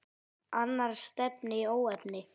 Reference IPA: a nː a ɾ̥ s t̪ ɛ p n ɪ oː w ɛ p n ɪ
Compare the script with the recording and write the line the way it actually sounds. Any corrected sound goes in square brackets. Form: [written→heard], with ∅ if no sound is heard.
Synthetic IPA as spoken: a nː a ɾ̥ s t̪ ɛ p n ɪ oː w ɛ p n ɪ